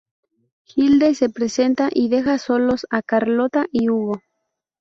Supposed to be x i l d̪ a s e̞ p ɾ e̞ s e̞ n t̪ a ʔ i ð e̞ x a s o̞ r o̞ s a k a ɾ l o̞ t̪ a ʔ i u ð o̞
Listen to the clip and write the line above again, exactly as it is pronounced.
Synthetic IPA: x i l d̪ e s e̞ p ɾ e̞ s e̞ n t̪ a ʔ i ð e̞ x a s o̞ l o̞ s a k a ɾ l o̞ t̪ a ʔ i u ɣ o̞